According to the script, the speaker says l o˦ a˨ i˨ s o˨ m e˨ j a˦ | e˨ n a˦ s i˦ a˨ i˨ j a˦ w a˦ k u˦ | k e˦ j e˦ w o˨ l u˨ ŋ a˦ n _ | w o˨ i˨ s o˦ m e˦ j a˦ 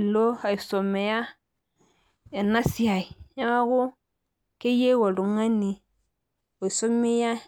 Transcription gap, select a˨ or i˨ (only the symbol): i˨